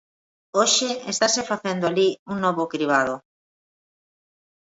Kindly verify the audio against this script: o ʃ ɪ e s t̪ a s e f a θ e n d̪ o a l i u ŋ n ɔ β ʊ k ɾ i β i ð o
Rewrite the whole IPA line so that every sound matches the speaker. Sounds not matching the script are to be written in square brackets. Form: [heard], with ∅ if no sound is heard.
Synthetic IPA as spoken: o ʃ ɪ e s t̪ a s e f a θ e n d̪ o a l i u ŋ n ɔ β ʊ k ɾ i β [a] ð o